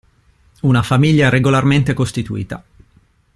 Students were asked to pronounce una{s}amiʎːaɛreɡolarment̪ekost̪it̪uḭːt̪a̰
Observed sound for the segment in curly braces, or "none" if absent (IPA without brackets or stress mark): f